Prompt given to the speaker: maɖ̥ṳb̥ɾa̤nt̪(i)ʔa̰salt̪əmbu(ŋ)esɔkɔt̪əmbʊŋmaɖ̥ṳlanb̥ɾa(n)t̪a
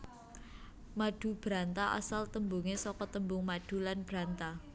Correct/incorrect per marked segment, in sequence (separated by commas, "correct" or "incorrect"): incorrect, correct, correct